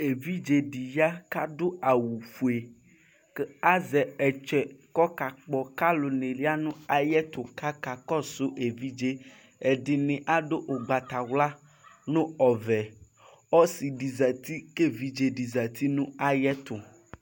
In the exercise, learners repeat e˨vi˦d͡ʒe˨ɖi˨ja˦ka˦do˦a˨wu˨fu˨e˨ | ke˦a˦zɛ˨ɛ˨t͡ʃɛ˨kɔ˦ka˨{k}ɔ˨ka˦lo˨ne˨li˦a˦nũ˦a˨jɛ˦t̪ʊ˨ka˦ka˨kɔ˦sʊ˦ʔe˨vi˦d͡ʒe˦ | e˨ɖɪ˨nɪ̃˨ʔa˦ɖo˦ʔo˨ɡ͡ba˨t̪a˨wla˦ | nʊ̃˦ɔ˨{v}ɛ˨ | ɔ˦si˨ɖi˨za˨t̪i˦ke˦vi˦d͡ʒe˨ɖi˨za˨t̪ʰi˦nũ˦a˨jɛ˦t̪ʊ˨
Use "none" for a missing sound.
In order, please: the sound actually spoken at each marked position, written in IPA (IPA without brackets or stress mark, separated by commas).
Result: k͡p, v